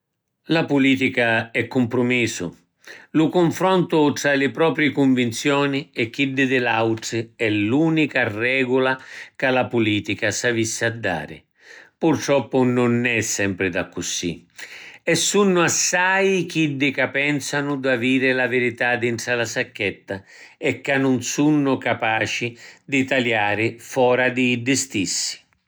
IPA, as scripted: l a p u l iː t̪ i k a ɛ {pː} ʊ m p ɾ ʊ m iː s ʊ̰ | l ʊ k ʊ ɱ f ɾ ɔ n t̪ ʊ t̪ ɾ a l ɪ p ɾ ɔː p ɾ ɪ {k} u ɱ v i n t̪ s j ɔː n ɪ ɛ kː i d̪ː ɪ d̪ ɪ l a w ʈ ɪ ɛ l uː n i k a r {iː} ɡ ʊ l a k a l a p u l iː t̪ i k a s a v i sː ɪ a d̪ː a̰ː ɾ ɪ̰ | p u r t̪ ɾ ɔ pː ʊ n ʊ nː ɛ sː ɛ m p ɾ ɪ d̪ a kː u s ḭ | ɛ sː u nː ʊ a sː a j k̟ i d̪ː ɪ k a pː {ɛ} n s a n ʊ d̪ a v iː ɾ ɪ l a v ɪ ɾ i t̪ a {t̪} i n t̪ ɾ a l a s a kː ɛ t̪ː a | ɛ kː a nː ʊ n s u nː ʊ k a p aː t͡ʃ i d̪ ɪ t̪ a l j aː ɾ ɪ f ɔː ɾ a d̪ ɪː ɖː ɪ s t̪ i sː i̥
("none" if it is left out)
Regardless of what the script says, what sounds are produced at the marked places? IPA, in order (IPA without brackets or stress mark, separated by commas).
kː, k, ɛː, ɛ, d̪